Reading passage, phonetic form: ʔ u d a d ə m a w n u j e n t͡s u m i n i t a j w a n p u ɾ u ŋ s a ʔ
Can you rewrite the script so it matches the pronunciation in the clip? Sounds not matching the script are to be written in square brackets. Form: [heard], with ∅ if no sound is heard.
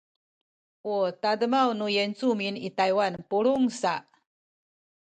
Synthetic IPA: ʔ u [t] a d ə m a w n u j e n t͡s u m i n i t a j w a n p u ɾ u ŋ s a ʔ